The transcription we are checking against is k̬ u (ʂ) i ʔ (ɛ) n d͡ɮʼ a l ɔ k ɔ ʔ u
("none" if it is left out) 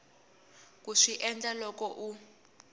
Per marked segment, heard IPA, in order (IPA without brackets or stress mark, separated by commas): ʂ, ɛ